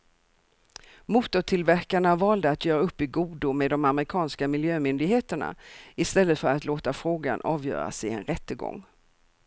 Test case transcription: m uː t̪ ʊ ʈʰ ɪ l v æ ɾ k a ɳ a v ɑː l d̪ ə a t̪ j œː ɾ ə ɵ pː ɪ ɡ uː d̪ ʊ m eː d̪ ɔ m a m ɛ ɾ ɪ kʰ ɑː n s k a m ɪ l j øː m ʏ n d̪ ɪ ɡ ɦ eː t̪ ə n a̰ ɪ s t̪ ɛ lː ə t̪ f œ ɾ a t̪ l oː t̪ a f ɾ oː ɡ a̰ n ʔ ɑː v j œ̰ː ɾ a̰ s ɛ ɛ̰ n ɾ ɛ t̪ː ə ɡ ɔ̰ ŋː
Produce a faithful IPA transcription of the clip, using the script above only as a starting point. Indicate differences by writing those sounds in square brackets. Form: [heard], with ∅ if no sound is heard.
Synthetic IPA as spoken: m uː t̪ ʊ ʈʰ ɪ l v æ ɾ k a ɳ a v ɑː l d̪ ə a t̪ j œː ɾ [a] ɵ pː ɪ ɡ uː d̪ ʊ m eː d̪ ɔ m a m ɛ ɾ ɪ kʰ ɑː n s k a m ɪ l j øː m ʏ n d̪ ɪ ɡ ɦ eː t̪ ə [ɳ] a̰ ɪ s t̪ ɛ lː ə t̪ f œ ɾ a t̪ l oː t̪ a f ɾ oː ɡ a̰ n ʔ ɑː v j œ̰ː ɾ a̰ s ɛ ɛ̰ n ɾ ɛ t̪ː ə ɡ ɔ̰ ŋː

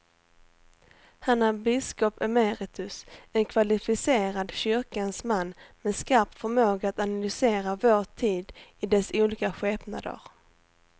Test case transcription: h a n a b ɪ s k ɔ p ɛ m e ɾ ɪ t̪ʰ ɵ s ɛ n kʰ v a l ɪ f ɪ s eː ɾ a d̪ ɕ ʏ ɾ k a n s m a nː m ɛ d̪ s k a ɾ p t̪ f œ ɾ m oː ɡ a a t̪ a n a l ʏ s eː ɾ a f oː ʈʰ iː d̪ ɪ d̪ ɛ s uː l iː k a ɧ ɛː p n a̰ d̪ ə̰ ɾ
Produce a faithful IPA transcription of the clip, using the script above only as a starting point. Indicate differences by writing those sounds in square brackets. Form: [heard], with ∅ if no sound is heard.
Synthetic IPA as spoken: h a n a b ɪ s k ɔ p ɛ m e ɾ ɪ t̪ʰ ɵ s ɛ n kʰ v a l ɪ f ɪ s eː ɾ a d̪ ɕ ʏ ɾ k a n s m a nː m ɛ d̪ s k a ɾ p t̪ f œ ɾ m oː ɡ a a t̪ a n a l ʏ s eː ɾ a [v] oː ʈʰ iː d̪ ɪ d̪ ɛ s uː l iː k a ɧ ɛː p n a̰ d̪ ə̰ ɾ

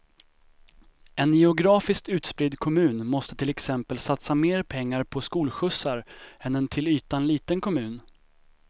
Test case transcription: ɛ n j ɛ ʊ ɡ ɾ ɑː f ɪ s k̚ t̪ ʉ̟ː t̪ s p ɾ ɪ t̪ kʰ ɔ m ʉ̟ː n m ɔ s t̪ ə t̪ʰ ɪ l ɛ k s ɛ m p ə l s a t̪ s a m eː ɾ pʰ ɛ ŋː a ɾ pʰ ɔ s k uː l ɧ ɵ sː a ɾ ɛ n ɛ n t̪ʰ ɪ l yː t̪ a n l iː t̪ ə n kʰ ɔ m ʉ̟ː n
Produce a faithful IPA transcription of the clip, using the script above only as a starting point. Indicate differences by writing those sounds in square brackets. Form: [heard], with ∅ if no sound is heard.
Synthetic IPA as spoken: ɛ n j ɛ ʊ ɡ ɾ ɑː f ɪ s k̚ t̪ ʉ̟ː t̪ s p ɾ ɪ [d̪] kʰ ɔ m ʉ̟ː n m ɔ s t̪ ə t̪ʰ ɪ l ɛ k s ɛ m p ə l s a t̪ s a m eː ɾ pʰ ɛ ŋː a ɾ pʰ ɔ s k uː l ɧ ɵ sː a ɾ ɛ n ɛ n t̪ʰ ɪ l yː t̪ a n l iː t̪ ə n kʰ ɔ m ʉ̟ː n

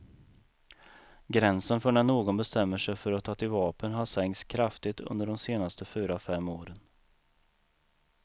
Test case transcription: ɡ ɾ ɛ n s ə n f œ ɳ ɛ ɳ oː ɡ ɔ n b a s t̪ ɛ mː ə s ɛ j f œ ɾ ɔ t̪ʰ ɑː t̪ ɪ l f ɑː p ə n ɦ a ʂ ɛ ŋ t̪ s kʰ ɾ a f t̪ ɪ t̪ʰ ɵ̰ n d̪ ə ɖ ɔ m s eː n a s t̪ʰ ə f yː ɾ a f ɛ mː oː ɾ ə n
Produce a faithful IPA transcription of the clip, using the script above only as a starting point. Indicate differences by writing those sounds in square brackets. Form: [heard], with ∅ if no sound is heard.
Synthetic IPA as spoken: ɡ ɾ ɛ n s ə n f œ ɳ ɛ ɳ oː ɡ ɔ n b [ɛ] s t̪ ɛ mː ə [ʂ] ɛ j f œ ɾ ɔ t̪ʰ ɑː t̪ ɪ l [v] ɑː p ə n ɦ a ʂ ɛ ŋ t̪ s kʰ ɾ a f t̪ ɪ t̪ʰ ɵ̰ n d̪ ə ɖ ɔ m s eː n a s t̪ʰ ə f yː ɾ a f ɛ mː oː ɾ ə n

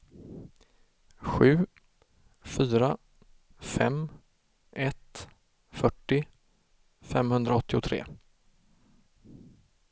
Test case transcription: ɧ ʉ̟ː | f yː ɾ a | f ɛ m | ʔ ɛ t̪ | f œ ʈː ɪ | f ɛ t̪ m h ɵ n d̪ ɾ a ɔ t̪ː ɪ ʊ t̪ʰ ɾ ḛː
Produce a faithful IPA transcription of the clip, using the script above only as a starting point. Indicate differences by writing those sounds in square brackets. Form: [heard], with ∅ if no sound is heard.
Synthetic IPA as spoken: ɧ ʉ̟ː | f yː ɾ a | f ɛ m | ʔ ɛ t̪ | f œ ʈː ɪ | f ɛ [∅] m h ɵ n d̪ ɾ a ɔ t̪ː ɪ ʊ t̪ʰ ɾ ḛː

